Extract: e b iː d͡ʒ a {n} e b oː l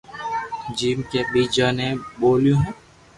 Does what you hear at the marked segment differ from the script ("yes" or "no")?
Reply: no